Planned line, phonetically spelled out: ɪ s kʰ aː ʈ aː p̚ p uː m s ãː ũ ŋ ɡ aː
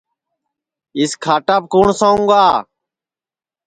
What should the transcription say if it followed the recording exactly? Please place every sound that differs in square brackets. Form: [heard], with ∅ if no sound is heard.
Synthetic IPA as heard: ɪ s kʰ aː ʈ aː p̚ [k] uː [ɳ] s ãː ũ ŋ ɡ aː

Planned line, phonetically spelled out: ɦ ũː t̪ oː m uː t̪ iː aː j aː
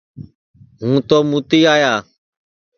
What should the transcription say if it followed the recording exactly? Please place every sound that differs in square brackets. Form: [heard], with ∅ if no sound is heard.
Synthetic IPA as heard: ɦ ũː t̪ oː m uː t̪ iː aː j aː

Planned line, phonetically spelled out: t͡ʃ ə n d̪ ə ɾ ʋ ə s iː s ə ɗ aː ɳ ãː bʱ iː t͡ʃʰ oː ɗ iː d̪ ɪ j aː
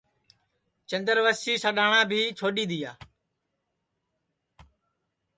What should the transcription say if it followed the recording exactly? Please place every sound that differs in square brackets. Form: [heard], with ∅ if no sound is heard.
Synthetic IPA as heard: t͡ʃ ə n d̪ ə ɾ ʋ ə s iː s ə ɗ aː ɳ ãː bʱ iː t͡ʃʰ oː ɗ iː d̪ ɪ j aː

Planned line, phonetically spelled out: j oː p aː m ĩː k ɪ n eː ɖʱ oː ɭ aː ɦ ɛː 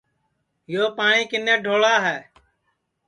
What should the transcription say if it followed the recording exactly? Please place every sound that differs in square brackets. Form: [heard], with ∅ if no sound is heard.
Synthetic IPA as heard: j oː p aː [ɳ] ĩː k ɪ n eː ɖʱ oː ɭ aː ɦ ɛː

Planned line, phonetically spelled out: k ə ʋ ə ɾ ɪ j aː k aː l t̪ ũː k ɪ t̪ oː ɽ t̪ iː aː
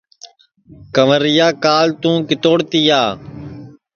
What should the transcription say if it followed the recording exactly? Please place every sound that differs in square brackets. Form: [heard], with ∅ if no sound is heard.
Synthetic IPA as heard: k ə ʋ ə ɾ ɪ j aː k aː l t̪ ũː k ɪ t̪ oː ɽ t̪ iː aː

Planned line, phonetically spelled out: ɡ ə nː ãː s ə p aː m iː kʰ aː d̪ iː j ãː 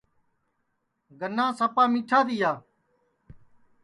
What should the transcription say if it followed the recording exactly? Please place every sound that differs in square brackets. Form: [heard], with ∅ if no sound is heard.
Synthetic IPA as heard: ɡ ə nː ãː s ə p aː m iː [ʈʰ] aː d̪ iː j [aː]

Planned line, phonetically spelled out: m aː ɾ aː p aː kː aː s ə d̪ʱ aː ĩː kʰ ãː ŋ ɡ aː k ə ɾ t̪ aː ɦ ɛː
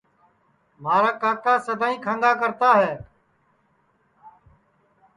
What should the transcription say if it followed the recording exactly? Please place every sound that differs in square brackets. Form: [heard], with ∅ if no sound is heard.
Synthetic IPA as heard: m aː ɾ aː [k] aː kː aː s ə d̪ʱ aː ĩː kʰ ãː ŋ ɡ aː k ə ɾ t̪ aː ɦ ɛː

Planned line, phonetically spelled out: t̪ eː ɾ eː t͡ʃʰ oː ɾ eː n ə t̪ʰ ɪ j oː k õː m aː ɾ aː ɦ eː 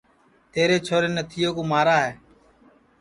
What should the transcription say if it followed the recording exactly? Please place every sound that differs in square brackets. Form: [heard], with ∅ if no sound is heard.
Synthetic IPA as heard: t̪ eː ɾ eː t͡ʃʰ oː ɾ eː n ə t̪ʰ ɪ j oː k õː m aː ɾ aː ɦ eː

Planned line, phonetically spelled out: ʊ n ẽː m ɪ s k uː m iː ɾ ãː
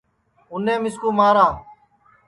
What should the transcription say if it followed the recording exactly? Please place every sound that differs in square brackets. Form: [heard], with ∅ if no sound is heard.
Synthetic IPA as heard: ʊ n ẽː m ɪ s k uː m [aː] ɾ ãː

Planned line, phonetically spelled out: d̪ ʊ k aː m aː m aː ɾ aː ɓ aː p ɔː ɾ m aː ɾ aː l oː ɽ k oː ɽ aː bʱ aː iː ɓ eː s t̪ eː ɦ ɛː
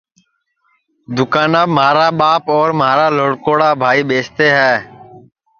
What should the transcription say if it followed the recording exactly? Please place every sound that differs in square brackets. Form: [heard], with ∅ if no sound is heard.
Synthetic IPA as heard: d̪ ʊ k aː [n] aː m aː ɾ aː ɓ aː p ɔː ɾ m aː ɾ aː l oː ɽ k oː ɽ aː bʱ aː iː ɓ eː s t̪ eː ɦ ɛː

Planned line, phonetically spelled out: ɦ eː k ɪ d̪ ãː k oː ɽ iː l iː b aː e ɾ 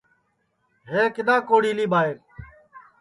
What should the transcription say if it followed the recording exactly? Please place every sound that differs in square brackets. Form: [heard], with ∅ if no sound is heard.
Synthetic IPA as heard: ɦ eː k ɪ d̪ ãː k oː ɽ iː l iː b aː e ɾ

